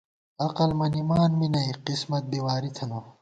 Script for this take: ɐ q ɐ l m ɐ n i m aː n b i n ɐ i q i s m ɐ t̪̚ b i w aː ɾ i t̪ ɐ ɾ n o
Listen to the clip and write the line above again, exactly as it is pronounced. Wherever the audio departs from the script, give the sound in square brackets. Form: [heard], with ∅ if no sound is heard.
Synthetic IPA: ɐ q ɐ l m ɐ n i m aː n [m] i n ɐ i q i s m ɐ t̪̚ b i w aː ɾ i [t̪ʰ] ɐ [∅] n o